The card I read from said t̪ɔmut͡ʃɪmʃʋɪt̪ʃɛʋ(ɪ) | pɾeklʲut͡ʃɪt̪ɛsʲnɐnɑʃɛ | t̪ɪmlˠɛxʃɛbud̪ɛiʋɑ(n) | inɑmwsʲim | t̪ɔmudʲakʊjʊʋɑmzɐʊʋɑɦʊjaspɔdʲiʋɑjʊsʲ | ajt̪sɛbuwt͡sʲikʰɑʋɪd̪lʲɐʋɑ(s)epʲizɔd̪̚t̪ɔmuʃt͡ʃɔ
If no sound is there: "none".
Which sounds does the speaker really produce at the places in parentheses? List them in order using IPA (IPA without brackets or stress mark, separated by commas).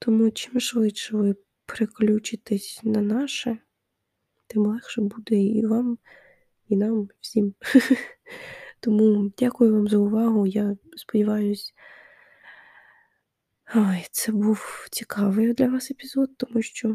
ɪ, m, s